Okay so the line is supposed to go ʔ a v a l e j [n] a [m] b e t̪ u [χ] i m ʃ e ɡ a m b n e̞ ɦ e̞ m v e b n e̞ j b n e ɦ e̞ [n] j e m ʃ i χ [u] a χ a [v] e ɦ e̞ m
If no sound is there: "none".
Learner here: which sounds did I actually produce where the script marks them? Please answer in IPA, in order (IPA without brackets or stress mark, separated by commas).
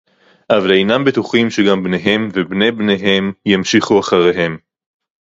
n, m, χ, m, u, ʁ